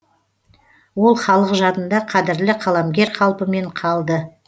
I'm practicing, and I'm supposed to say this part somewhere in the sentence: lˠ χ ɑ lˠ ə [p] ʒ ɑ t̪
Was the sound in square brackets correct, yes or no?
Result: no